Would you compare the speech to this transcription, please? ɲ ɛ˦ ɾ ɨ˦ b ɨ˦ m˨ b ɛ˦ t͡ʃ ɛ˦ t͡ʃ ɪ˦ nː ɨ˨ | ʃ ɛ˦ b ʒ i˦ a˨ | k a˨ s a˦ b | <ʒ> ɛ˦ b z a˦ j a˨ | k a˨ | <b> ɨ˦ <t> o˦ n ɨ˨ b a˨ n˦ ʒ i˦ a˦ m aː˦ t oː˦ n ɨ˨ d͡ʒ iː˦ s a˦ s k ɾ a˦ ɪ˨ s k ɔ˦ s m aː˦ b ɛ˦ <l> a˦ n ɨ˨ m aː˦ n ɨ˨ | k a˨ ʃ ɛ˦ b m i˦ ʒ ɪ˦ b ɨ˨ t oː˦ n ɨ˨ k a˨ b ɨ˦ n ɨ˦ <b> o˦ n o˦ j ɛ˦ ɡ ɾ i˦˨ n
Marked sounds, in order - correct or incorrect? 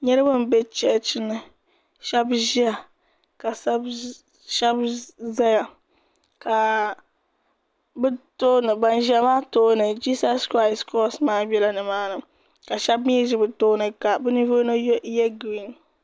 incorrect: ʃ, correct, correct, correct, incorrect: v

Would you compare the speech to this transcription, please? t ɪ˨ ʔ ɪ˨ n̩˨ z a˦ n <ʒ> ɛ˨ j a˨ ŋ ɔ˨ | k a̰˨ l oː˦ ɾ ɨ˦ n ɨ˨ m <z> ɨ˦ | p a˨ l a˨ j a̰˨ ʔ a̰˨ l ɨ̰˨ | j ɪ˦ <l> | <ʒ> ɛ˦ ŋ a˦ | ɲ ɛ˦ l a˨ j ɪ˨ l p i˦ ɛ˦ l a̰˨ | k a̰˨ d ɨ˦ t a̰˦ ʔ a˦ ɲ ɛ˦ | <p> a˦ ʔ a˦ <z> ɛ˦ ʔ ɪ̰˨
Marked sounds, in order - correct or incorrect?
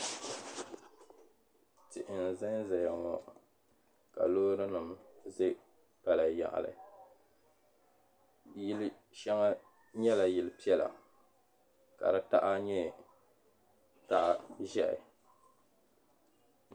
incorrect: z, correct, correct, incorrect: ʃ, incorrect: t, incorrect: ʒ

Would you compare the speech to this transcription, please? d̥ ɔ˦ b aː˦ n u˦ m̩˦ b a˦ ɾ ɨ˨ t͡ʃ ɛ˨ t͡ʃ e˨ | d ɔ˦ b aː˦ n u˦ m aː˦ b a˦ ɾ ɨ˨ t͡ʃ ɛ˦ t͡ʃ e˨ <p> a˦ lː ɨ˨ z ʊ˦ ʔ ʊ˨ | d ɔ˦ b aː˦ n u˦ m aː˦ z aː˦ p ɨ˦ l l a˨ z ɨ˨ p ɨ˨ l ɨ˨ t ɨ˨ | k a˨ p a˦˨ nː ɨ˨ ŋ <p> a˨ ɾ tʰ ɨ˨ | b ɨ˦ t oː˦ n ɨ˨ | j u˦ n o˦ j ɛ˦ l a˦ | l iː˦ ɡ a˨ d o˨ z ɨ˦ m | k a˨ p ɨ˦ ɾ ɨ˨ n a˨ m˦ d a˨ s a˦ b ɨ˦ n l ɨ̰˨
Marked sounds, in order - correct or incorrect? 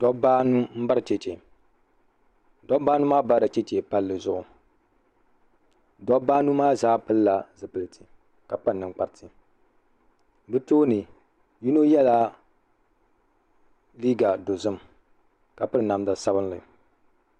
correct, incorrect: k͡p

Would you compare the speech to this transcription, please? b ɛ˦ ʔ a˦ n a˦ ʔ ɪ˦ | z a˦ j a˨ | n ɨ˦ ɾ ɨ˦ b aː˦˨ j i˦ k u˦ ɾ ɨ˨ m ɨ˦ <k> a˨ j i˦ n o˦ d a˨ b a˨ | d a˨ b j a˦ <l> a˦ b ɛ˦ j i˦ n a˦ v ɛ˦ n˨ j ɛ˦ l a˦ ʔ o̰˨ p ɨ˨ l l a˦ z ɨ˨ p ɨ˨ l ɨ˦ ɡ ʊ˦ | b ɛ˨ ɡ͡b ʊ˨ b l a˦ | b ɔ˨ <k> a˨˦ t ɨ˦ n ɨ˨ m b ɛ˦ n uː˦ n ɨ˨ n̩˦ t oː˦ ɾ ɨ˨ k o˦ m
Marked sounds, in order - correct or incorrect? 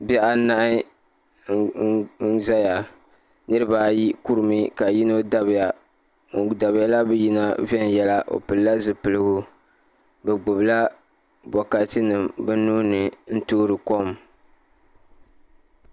correct, correct, correct

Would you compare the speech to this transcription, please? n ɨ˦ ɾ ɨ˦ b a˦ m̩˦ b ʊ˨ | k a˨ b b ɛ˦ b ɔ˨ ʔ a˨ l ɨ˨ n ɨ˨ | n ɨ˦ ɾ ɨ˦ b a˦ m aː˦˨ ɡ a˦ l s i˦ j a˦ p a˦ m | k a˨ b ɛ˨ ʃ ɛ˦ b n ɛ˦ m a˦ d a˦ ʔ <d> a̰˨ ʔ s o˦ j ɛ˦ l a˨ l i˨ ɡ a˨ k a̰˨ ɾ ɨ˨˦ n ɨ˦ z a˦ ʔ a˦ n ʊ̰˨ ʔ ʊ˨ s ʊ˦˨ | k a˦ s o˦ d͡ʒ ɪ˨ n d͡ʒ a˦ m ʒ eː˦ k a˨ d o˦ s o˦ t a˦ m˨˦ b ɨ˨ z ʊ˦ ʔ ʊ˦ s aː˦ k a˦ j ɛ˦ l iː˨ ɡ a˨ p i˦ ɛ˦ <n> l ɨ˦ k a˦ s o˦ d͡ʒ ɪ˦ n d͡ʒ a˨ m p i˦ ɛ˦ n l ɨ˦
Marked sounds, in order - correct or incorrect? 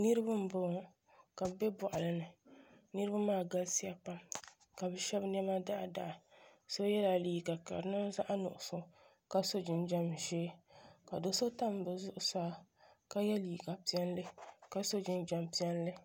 correct, correct

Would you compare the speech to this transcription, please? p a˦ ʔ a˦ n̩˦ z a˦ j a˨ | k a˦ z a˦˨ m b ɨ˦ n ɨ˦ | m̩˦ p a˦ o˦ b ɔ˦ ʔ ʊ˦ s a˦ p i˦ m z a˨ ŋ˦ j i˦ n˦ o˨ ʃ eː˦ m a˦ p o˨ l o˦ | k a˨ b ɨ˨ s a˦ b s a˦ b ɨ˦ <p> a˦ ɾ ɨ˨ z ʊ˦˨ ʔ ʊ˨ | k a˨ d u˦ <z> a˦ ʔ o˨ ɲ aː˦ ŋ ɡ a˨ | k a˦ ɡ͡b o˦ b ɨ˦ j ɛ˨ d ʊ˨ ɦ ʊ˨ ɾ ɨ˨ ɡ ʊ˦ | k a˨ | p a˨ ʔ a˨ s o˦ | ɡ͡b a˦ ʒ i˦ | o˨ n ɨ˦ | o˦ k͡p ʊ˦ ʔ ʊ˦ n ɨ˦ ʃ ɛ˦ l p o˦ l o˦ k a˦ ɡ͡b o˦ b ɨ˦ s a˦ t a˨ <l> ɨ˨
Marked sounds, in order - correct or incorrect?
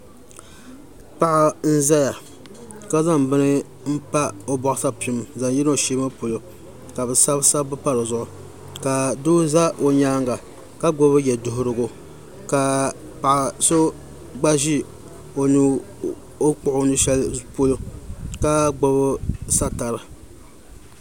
correct, correct, incorrect: ɾ

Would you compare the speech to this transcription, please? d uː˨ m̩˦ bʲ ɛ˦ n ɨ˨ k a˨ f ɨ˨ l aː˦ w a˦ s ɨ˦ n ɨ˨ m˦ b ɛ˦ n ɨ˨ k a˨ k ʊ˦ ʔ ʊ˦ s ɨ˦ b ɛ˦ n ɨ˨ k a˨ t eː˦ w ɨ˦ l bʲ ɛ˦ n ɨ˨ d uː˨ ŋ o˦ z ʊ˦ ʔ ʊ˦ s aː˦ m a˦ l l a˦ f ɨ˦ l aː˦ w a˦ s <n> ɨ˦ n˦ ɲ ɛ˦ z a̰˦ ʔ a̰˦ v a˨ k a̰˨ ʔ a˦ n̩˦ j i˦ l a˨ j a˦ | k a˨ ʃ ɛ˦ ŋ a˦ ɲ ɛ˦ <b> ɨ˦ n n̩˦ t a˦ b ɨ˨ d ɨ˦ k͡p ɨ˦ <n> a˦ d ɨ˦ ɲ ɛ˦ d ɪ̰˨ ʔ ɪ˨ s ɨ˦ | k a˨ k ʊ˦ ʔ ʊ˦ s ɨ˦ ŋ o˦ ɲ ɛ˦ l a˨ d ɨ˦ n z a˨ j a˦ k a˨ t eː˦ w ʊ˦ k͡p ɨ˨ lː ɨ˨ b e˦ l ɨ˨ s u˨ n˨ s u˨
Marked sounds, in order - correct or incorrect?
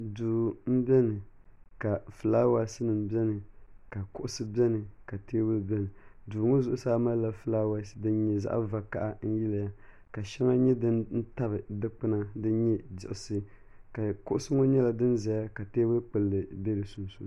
incorrect: d, incorrect: d, correct

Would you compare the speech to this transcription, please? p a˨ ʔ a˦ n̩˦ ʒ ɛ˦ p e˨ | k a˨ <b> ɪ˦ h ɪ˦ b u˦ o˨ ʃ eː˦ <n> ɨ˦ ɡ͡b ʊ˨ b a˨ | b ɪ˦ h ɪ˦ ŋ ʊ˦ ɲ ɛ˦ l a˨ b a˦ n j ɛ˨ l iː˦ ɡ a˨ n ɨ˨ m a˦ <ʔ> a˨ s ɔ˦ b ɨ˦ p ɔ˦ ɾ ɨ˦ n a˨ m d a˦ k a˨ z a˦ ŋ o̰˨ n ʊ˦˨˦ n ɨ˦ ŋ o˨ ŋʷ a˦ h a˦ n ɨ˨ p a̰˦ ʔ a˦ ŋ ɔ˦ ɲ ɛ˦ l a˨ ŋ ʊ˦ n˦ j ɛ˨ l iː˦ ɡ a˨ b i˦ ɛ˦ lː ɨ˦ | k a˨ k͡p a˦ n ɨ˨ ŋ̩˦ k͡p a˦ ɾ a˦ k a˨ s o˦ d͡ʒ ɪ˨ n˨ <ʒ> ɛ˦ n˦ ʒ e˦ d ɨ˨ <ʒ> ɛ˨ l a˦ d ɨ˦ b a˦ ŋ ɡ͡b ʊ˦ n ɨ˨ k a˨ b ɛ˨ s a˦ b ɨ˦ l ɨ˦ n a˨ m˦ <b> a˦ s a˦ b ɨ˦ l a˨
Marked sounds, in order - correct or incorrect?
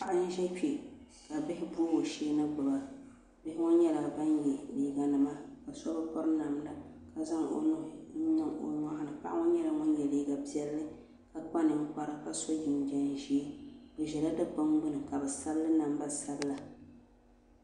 correct, correct, incorrect: k, incorrect: d͡ʒ, correct, correct

